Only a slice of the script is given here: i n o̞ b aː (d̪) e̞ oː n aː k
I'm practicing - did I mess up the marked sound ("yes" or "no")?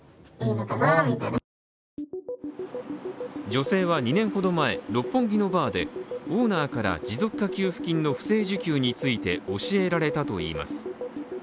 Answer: no